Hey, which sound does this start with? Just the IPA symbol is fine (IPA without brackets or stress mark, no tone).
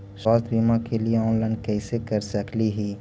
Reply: s